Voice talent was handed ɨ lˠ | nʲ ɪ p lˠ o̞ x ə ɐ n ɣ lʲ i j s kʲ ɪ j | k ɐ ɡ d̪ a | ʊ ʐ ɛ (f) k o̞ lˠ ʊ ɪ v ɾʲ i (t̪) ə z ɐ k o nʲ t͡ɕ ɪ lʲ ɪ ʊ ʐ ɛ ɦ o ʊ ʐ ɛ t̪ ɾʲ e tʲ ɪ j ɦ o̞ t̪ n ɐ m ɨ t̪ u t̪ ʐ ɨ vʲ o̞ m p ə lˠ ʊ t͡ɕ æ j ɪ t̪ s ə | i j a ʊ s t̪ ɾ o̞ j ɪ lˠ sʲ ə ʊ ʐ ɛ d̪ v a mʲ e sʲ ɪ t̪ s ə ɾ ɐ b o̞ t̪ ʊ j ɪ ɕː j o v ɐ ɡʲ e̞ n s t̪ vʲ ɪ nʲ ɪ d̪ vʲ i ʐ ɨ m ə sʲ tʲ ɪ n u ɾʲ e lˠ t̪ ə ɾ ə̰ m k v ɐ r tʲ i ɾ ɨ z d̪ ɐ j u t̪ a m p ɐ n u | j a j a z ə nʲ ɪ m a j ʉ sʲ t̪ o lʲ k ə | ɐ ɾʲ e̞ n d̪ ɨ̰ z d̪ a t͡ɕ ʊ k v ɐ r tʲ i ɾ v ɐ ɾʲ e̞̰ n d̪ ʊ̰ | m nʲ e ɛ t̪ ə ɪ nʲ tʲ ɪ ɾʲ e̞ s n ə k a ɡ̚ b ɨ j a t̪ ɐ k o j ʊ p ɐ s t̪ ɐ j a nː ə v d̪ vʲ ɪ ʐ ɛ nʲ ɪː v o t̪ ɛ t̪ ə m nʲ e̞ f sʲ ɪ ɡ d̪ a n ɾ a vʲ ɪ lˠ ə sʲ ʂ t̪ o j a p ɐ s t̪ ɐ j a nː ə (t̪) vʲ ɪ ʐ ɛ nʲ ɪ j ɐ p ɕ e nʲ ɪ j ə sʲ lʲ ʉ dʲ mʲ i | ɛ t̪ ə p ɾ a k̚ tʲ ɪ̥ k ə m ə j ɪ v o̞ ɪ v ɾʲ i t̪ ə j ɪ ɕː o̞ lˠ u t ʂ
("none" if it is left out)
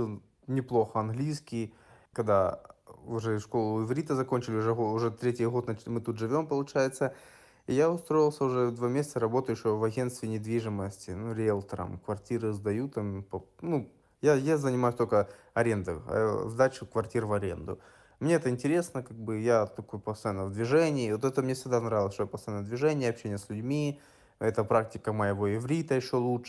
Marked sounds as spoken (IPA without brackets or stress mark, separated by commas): ʂ, t̪, d̪